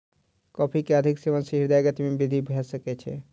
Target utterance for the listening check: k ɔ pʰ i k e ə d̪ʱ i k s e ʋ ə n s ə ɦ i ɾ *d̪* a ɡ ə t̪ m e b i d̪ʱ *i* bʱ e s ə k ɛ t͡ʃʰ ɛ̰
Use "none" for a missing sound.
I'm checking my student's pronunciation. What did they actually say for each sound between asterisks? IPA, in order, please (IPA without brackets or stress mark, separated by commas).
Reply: d̪, i